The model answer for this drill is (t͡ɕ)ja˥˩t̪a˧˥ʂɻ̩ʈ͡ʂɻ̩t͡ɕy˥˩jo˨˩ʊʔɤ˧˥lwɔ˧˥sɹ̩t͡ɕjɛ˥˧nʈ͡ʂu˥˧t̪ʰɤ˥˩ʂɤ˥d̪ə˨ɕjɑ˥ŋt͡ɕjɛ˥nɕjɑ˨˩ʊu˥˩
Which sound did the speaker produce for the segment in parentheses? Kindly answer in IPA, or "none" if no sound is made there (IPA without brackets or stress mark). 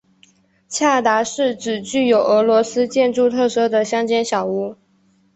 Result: t͡ɕʰ